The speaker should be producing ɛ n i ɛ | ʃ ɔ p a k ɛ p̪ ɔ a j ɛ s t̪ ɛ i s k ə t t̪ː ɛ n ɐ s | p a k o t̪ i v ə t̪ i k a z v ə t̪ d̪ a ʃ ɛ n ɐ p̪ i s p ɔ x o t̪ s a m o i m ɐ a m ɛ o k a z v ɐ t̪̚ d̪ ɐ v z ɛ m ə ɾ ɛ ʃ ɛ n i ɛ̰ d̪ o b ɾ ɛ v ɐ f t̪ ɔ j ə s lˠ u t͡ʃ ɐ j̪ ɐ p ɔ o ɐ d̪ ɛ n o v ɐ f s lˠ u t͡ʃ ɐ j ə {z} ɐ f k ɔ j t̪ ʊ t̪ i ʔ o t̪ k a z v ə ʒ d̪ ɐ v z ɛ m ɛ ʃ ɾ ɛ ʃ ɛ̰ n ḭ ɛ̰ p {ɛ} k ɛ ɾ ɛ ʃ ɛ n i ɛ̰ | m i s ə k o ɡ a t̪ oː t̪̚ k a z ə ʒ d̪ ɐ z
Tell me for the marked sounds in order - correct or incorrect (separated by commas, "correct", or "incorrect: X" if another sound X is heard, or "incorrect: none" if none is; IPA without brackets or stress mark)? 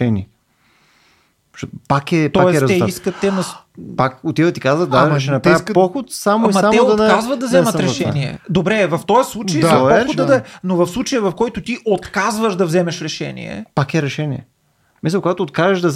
incorrect: v, incorrect: a